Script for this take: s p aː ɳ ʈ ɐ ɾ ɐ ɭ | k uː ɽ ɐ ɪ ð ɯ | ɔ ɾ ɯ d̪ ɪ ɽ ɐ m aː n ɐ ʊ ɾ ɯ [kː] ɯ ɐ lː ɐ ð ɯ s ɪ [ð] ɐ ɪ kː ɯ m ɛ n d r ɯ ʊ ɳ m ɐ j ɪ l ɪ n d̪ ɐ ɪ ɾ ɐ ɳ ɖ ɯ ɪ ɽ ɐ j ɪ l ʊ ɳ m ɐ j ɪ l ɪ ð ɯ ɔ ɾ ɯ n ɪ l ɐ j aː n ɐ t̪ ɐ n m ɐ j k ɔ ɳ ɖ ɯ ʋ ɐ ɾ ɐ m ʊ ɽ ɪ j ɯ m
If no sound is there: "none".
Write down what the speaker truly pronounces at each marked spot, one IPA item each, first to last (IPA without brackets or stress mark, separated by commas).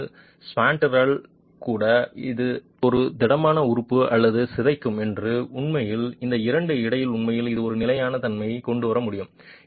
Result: pː, ð